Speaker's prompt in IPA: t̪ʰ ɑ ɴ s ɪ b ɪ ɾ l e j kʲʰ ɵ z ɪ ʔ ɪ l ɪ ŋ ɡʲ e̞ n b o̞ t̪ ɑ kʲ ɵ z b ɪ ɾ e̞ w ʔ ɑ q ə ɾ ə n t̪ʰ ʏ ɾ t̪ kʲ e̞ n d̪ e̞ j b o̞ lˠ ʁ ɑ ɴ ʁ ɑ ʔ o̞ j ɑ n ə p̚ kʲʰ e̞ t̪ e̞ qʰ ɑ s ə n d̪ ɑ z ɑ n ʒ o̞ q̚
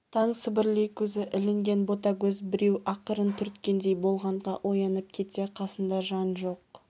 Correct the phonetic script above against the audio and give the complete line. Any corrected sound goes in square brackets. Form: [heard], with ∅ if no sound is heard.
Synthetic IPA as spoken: t̪ʰ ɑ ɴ s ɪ b ɪ ɾ l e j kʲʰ ɵ z ɪ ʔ ɪ l ɪ ŋ ɡʲ e̞ n b o̞ t̪ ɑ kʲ ɵ z b ɪ ɾ e̞ w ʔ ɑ q ə ɾ ə n t̪ʰ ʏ ɾ t̪ kʲ e̞ n d̪ e̞ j b o̞ lˠ ʁ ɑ ɴ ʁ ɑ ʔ o̞ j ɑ n ə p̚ kʲʰ e̞ t̪ e̞ qʰ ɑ s ə n d̪ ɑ [ʒ] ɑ n ʒ o̞ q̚

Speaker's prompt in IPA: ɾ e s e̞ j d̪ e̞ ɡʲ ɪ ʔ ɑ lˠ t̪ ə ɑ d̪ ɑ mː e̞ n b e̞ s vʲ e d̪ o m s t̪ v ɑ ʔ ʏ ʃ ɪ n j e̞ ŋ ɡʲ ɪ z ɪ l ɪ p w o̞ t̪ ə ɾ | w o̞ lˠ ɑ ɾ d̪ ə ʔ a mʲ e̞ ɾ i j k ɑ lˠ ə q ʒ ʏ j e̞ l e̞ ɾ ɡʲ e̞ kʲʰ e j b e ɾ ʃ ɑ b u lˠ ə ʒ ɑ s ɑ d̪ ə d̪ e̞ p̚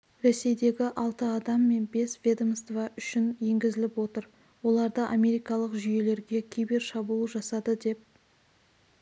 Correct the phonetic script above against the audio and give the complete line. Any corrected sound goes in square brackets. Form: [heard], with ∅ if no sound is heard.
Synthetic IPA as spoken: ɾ e s e̞ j d̪ e̞ ɡʲ ɪ ʔ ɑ lˠ t̪ ə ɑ d̪ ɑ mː e̞ n b e̞ s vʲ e d̪ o m s t̪ v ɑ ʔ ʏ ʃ ɪ n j e̞ ŋ ɡʲ ɪ z ɪ l ɪ p w o̞ t̪ ə ɾ | w o̞ lˠ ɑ ɾ d̪ ə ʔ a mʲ e̞ ɾ i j k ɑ lˠ ə q ʒ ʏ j e̞ l e̞ ɾ ɡʲ e̞ kʲʰ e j b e ɾ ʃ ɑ b u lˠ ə ʒ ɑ s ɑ d̪ ə d̪ e̞ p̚

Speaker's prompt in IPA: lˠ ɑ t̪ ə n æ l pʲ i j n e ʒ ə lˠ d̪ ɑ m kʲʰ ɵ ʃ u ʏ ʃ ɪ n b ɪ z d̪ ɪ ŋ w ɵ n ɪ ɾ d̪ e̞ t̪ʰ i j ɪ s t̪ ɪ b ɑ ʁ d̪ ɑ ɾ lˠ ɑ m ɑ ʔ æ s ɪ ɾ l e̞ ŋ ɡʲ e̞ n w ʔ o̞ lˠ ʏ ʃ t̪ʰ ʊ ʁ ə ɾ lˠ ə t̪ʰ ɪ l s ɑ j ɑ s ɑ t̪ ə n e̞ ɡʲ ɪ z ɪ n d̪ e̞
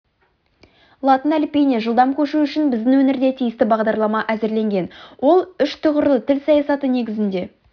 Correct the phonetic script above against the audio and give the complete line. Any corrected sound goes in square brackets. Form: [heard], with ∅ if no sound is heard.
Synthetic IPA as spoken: lˠ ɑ t̪ ə n æ l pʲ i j n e ʒ ə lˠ d̪ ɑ m kʲʰ ɵ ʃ u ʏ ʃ ɪ n b ɪ z d̪ ɪ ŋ w ɵ n ɪ ɾ d̪ e̞ t̪ʰ i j ɪ s t̪ ɪ b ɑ ʁ d̪ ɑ ɾ lˠ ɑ m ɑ ʔ æ [z] ɪ ɾ l e̞ ŋ ɡʲ e̞ n w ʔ o̞ lˠ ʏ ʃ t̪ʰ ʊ ʁ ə ɾ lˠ ə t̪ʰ ɪ l s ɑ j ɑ s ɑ t̪ ə n e̞ ɡʲ ɪ z ɪ n d̪ e̞

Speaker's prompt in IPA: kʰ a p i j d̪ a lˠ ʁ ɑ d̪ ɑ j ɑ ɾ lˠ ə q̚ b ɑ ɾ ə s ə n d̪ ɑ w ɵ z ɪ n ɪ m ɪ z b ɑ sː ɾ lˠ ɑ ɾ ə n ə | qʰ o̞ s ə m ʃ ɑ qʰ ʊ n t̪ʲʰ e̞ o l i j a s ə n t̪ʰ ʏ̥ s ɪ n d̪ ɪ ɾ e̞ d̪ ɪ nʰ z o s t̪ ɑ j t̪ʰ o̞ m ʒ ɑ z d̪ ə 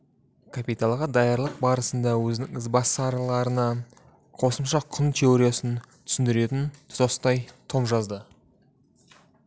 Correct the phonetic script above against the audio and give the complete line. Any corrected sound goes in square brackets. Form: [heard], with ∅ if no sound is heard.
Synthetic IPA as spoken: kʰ a p i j [t̪] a lˠ ʁ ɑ d̪ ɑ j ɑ ɾ lˠ ə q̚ b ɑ ɾ ə s ə n d̪ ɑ w ɵ z ɪ n ɪ [ŋ] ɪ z b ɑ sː ɾ lˠ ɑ ɾ ə n [ɑ] | qʰ o̞ s ə m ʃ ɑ qʰ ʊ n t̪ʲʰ e̞ o [ɾ] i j a s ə n t̪ʰ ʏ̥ s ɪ n d̪ ɪ ɾ e̞ [t̪] ɪ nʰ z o s t̪ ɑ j t̪ʰ o̞ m ʒ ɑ z d̪ ə

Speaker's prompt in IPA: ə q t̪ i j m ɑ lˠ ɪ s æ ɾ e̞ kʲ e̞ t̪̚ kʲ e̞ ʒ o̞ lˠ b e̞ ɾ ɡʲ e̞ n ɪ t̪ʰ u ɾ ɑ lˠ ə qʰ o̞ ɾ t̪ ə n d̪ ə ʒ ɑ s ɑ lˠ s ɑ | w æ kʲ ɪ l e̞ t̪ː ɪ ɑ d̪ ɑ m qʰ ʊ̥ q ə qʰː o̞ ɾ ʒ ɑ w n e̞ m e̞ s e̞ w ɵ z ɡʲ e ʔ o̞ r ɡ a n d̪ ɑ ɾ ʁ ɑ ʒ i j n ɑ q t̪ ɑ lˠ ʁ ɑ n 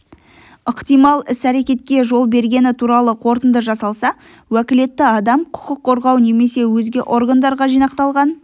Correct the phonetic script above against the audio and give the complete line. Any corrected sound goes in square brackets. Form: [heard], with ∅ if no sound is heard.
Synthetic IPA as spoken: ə q t̪ i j m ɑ lˠ ɪ s æ ɾ e̞ kʲ e̞ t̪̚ kʲ e̞ ʒ o̞ lˠ b e̞ ɾ ɡʲ e̞ n ɪ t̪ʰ u ɾ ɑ lˠ ə qʰ o̞ ɾ t̪ ə n d̪ ə ʒ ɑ s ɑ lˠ s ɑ | w æ kʲ ɪ l e̞ t̪ː ɪ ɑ d̪ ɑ m qʰ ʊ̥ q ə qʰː o̞ ɾ [ʁ] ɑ w n e̞ m e̞ s e̞ w ɵ z ɡʲ e ʔ o̞ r ɡ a n d̪ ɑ ɾ ʁ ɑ ʒ i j n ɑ q t̪ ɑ lˠ ʁ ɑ n

